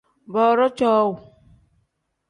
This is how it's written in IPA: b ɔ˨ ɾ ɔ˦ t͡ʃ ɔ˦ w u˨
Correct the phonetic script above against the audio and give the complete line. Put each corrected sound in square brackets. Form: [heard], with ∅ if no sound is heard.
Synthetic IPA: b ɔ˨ ɾ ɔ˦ t͡ʃ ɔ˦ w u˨